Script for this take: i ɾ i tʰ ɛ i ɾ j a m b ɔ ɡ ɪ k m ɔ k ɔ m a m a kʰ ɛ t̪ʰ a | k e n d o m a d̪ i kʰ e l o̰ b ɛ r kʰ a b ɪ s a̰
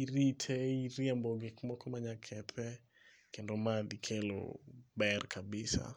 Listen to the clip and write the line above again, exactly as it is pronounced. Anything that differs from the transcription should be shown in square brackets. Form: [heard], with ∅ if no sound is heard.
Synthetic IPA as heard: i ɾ i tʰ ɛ i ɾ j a m b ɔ ɡ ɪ k m ɔ k ɔ m a [ɲ] a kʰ ɛ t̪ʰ [ɛ] | k e n d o m a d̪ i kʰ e l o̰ b ɛ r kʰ a b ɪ s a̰